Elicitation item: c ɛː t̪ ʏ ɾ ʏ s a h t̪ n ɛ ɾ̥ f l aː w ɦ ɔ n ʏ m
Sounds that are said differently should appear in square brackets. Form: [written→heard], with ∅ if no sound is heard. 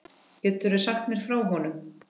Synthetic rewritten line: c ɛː t̪ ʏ ɾ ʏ s a [h→x] t̪ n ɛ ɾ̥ f [l→ɾ] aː w ɦ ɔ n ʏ m